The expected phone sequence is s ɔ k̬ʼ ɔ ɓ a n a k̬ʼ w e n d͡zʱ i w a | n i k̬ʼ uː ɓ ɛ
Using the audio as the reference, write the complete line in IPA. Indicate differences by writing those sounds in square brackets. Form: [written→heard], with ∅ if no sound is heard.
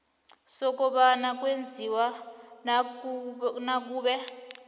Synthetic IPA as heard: s ɔ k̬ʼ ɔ ɓ a n a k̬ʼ w e n d͡zʱ i w a | n [i→a] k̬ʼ uː ɓ ɛ